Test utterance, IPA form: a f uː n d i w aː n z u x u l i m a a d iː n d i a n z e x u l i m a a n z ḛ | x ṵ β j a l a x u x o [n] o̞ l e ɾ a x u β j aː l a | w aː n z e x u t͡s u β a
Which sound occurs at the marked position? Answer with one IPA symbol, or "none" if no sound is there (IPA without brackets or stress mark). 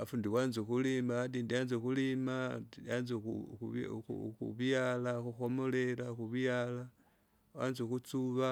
m